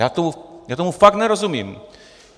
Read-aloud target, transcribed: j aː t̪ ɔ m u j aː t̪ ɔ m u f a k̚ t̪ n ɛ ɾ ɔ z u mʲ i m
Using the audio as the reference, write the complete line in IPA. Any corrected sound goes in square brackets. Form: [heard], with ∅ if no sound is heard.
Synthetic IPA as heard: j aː t̪ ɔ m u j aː t̪ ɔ m u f a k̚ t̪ n ɛ ɾ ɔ z u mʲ i m